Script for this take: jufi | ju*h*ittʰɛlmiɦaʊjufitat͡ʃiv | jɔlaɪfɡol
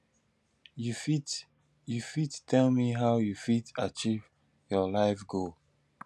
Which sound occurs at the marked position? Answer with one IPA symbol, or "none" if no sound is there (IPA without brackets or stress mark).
f